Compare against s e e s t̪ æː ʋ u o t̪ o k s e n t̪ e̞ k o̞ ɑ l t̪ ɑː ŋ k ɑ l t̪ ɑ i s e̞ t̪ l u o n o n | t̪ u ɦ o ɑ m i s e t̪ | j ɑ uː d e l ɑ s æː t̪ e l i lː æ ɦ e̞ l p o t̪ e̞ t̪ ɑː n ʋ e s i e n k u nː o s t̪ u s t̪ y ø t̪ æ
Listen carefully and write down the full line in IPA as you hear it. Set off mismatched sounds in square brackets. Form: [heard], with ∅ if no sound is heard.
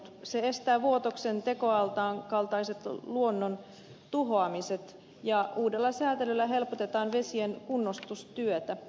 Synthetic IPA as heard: s e e s t̪ æː ʋ u o t̪ o k s e n t̪ e̞ k o̞ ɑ l t̪ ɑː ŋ k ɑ l t̪ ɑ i s e̞ t̪ l u o [nː] o n | t̪ u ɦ o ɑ m i s e t̪ | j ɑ uː d e [lː] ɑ s æː t̪ e l [y] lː æ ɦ e̞ l p o t̪ e̞ t̪ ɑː n ʋ e s i e n k u nː o s t̪ u s t̪ y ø t̪ æ